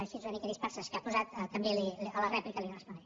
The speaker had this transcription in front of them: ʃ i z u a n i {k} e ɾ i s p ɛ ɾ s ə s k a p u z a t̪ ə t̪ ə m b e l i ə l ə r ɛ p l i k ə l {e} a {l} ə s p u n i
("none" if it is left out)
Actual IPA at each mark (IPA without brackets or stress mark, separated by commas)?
k, i, r